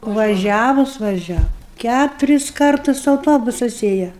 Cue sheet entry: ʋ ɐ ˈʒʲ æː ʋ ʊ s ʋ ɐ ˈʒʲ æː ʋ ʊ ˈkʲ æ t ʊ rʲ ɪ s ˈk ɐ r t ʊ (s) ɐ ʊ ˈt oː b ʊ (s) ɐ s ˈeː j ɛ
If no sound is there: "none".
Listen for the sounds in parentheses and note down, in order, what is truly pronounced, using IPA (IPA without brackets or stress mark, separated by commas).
s, s